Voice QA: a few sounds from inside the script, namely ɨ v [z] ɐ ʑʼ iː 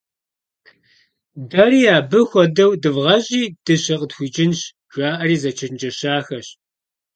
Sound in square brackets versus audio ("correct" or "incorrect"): incorrect